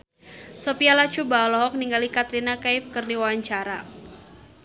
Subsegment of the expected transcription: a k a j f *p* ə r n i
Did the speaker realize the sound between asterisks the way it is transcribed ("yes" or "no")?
no